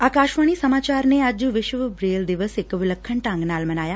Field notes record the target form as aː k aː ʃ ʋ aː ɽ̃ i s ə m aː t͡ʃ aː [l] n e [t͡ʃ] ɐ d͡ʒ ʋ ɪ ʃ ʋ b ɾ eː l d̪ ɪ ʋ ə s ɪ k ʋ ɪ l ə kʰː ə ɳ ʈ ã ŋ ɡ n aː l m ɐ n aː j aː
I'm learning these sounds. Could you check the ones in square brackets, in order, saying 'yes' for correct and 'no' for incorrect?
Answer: no, no

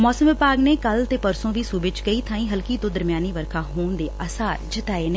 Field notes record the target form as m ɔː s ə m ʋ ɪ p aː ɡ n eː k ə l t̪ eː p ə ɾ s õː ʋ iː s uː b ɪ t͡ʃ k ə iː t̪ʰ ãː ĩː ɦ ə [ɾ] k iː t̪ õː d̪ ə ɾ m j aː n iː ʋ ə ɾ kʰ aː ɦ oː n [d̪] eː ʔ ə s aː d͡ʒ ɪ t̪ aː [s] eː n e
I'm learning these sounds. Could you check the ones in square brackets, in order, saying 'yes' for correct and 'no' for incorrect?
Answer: no, yes, no

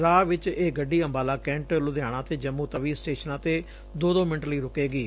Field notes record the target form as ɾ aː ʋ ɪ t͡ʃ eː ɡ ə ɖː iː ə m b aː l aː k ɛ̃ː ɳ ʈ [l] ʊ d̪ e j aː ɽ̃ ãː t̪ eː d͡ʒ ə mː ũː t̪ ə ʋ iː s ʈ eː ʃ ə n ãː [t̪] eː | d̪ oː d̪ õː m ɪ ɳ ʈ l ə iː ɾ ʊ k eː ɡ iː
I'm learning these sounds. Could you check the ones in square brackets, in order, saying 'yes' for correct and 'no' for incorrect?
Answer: yes, yes

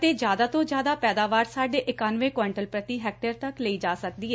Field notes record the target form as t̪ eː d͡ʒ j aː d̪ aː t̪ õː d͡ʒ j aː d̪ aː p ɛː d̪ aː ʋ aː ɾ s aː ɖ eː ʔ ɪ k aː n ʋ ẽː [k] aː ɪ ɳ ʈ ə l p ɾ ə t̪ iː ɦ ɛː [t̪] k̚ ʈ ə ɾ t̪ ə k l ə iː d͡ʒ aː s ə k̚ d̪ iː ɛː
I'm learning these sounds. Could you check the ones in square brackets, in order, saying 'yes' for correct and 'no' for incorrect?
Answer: yes, no

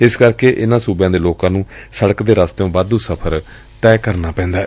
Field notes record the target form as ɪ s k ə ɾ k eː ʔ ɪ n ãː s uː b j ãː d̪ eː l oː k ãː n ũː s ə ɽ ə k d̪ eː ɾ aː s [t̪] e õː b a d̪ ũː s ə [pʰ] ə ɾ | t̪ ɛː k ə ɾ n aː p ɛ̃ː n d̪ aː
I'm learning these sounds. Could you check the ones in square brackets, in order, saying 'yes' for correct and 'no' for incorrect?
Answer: yes, yes

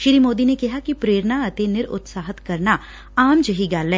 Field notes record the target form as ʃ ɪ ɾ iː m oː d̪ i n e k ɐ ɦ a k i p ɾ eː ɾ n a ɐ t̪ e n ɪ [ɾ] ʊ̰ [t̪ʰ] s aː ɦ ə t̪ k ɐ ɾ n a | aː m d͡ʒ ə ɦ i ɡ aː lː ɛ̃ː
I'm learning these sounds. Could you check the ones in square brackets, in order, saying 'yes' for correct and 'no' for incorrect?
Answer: yes, no

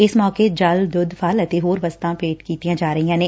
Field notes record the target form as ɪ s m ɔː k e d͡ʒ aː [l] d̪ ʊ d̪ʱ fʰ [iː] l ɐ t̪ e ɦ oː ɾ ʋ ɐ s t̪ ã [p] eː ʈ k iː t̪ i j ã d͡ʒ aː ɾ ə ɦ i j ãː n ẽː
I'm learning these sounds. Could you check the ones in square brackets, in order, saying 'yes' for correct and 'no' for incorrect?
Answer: yes, no, yes

